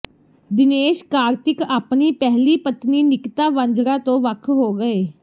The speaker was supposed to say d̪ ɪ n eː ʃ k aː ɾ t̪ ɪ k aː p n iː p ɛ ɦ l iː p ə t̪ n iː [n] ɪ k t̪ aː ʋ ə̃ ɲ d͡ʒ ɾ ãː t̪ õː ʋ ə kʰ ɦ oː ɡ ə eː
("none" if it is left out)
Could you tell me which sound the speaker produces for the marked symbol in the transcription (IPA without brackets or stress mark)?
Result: n